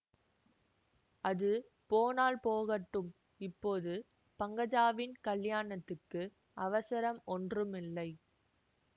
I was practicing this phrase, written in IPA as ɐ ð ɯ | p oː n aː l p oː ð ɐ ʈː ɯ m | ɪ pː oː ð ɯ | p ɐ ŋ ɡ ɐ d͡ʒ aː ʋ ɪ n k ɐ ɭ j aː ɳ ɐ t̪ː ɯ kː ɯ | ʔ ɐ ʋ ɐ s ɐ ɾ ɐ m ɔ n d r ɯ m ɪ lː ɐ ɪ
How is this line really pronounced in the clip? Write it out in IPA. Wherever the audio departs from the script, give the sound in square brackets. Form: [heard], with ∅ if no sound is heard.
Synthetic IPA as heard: ɐ ð ɯ | p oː n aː l p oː [ɣ] ɐ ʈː ɯ m | ɪ pː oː ð ɯ | p ɐ ŋ ɡ ɐ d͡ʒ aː ʋ ɪ n k ɐ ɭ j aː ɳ ɐ t̪ː ɯ kː ɯ | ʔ ɐ ʋ ɐ s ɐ ɾ ɐ m ɔ n d r ɯ m ɪ lː ɐ ɪ